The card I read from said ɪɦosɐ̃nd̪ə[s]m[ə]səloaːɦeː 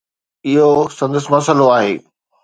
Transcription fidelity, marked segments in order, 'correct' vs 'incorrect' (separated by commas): correct, incorrect